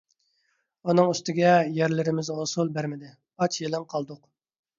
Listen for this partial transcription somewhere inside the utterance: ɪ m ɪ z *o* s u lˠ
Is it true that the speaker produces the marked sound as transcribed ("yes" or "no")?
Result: yes